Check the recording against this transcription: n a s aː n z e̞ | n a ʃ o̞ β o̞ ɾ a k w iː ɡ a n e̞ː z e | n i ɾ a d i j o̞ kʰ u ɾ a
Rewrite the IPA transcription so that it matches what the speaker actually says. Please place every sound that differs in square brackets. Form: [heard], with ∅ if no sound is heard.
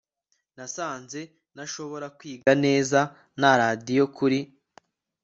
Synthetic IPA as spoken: n a s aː n z e̞ | n a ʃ o̞ β o̞ ɾ a k w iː ɡ a n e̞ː z [a] | n [a] ɾ a d i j o̞ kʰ u ɾ [i]

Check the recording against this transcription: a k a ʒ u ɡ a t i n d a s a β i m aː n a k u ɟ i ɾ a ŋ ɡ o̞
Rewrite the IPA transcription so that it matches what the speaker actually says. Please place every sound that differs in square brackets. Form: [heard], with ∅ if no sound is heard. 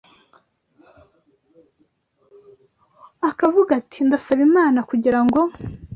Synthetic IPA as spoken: a k a [v] u ɡ a t i n d a s a β i m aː n a k u ɟ i ɾ a ŋ ɡ o̞

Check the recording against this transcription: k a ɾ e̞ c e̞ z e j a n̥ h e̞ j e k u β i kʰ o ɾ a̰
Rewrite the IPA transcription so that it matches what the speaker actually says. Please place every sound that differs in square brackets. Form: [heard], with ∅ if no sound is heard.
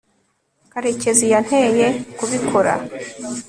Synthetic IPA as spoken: k a ɾ e̞ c e̞ z [i] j a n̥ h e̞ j e k u β i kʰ o ɾ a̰

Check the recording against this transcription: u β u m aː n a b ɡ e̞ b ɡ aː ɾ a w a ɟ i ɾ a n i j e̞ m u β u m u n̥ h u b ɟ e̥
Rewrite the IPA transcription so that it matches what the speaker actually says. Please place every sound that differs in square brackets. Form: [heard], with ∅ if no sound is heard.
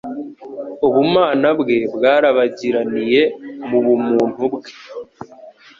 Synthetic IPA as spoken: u β u m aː n a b ɡ e̞ b ɡ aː ɾ a [β] a ɟ i ɾ a n i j e̞ m u β u m [uː] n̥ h u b [ɡ] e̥

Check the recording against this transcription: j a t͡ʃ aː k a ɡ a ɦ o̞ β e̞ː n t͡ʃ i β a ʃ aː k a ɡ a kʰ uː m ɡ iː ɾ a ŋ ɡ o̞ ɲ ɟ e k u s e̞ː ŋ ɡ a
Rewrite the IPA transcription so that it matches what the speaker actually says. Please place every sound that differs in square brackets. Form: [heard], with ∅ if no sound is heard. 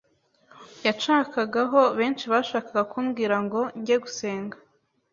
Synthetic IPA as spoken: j a t͡ʃ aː k a ɡ a ɦ o̞ β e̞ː n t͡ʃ i β a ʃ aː k a ɡ a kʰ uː m ɡ iː ɾ a ŋ ɡ o̞ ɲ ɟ e [ɡ] u s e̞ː ŋ ɡ a

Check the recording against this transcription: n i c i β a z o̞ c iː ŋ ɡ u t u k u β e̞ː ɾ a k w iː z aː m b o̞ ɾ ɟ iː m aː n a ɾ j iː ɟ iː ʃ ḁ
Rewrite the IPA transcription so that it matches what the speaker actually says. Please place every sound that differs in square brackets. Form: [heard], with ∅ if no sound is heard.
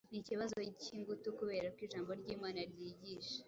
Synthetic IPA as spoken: n i c i β a z o̞ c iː ŋ ɡ u t u k u β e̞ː ɾ a k w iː [ʒ] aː m b o̞ ɾ ɟ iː m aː n a ɾ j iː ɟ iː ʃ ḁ

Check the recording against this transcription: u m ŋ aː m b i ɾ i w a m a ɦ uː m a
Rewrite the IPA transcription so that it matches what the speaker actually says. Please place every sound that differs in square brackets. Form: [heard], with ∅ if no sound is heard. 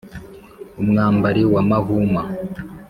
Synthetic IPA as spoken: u m ŋ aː m b [a] ɾ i w a m a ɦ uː m a

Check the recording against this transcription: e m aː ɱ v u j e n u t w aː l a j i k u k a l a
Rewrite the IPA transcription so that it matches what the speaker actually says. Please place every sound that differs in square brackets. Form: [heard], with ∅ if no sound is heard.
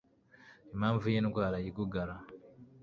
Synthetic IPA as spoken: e m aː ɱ v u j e n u [k] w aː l a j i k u [ɡ] a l a

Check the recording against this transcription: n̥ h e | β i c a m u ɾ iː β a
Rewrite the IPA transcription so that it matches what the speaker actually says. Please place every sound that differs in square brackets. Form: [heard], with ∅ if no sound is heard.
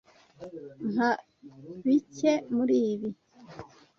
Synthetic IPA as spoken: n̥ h [a] | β i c [e] m u ɾ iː β [i]

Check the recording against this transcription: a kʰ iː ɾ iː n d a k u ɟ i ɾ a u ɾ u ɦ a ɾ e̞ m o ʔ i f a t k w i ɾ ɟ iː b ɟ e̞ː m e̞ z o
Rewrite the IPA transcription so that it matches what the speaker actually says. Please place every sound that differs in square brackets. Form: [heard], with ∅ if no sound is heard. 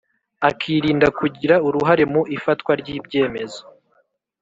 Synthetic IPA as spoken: a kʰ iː ɾ iː n d a k u ɟ i ɾ a u ɾ u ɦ a ɾ e̞ m [u] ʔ i f a t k w [a] ɾ ɟ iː b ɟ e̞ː m e̞ z o

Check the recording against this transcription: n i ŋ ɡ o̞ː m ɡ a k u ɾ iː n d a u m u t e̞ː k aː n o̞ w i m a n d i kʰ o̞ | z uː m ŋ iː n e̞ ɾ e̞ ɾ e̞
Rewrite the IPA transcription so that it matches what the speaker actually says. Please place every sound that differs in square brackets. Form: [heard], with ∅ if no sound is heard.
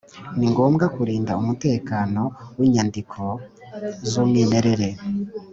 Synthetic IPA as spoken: n i ŋ ɡ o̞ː m ɡ a k u ɾ iː n d a u m u t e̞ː k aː n o̞ w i [ɲ] a n d i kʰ o̞ | z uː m ŋ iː n e̞ ɾ e̞ ɾ e̞

